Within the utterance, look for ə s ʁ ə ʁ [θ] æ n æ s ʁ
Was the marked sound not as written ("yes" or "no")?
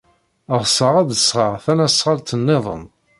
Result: no